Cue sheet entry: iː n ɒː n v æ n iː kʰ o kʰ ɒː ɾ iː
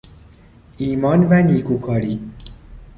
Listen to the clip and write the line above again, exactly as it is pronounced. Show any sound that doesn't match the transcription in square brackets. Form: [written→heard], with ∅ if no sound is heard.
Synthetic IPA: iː [n→m] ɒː n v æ n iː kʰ [o→u] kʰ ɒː ɾ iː